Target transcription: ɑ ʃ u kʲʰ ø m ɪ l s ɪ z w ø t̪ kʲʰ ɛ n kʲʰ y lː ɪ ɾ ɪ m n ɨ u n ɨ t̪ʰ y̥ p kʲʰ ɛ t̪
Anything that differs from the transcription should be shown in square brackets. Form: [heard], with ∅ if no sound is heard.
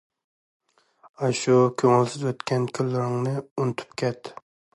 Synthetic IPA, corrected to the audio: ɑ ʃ u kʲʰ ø [ŋ] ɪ l s ɪ z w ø t̪ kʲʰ ɛ n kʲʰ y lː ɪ ɾ ɪ [ŋ] n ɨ u n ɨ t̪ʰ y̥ p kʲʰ ɛ t̪